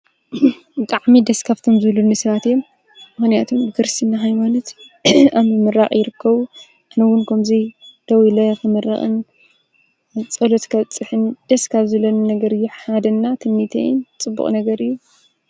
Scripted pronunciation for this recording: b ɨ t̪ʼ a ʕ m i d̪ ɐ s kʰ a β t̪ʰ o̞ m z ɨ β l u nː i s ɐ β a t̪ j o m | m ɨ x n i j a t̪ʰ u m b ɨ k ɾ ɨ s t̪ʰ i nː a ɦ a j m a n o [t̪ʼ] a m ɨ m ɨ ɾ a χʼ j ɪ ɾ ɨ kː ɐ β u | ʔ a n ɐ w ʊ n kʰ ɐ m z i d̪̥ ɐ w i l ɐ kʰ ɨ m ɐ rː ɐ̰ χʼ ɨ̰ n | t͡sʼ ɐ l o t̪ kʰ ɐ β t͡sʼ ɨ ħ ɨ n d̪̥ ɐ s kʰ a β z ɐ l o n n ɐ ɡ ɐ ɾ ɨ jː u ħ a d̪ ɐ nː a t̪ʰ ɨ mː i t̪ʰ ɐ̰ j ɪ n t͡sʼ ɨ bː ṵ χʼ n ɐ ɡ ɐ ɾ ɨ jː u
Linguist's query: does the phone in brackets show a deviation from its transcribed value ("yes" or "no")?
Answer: yes